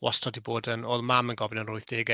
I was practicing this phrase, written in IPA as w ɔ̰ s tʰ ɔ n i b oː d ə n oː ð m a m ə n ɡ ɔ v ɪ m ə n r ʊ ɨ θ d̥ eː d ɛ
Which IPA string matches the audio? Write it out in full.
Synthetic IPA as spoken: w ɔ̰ s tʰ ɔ d i b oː d ə n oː ð m a m ə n ɡ ɔ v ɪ n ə n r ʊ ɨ θ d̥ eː ɡ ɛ